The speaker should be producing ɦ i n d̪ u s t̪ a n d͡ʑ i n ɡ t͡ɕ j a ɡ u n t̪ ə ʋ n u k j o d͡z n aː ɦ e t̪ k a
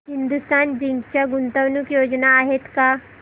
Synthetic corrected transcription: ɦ i n d̪ u s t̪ a n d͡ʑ i ŋ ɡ t͡ɕ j a ɡ u n t̪ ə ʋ n u k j o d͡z n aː ɦ e t̪ k a